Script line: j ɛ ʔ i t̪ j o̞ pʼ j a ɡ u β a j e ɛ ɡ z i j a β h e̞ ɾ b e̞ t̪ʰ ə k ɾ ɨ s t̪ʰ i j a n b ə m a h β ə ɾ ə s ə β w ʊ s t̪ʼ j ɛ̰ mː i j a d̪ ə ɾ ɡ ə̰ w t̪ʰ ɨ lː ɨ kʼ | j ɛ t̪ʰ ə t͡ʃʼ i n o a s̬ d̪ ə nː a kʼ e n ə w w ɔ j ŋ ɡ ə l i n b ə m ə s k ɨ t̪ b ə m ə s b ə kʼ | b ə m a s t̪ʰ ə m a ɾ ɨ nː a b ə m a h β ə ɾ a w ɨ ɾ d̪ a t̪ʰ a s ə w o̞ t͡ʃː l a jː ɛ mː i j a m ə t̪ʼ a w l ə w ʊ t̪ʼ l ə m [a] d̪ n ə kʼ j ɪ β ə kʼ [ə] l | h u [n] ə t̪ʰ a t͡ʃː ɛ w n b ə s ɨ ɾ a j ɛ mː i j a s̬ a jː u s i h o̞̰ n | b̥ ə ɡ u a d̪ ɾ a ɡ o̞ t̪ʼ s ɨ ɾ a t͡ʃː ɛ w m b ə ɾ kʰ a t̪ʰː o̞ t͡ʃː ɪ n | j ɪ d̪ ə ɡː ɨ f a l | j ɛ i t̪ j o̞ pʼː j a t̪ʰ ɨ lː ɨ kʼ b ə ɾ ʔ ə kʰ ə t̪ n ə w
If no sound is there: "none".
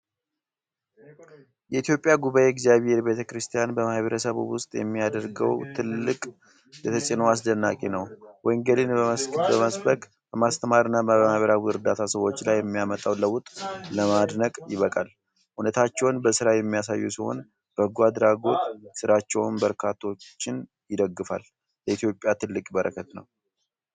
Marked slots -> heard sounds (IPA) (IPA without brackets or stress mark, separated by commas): a, a, n